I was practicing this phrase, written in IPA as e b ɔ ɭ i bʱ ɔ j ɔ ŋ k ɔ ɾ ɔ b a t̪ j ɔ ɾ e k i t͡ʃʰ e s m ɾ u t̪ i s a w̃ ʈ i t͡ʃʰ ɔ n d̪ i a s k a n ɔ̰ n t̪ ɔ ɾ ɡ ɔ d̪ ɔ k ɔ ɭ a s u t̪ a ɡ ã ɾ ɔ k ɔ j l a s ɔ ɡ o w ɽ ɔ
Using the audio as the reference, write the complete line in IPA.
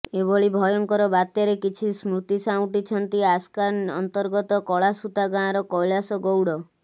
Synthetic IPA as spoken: e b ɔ ɭ i bʱ ɔ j ɔ ŋ k ɔ ɾ ɔ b a t̪ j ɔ ɾ e k i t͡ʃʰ i s m ɾ u t̪ i s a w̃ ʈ i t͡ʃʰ ɔ n t̪ i a s k a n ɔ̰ n t̪ ɔ ɾ ɡ ɔ t̪ ɔ k ɔ ɭ a s u t̪ a ɡ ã ɾ ɔ k ɔ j l a s ɔ ɡ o w ɽ ɔ